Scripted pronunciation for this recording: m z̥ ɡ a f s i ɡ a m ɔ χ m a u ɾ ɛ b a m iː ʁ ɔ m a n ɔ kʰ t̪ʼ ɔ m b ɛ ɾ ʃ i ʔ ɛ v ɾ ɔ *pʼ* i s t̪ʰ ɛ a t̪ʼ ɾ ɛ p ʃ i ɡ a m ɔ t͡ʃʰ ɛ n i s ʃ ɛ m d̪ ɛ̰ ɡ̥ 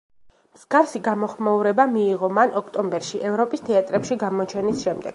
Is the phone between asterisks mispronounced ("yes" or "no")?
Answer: no